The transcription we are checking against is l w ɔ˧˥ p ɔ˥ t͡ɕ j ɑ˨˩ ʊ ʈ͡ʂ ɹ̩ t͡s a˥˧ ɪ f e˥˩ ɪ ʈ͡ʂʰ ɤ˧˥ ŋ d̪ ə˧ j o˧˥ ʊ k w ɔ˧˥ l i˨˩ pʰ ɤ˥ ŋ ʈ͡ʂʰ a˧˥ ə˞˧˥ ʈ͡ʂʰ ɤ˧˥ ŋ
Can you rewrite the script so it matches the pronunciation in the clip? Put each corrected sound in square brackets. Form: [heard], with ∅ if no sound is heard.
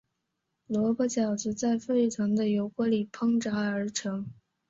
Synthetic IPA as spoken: l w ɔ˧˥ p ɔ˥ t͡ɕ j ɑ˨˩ ʊ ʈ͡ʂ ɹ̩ t͡s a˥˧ ɪ f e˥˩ ɪ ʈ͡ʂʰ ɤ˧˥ ŋ d̪ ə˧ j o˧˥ ʊ k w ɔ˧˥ l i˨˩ pʰ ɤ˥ ŋ [ʈ͡ʂ] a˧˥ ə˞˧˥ ʈ͡ʂʰ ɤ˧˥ ŋ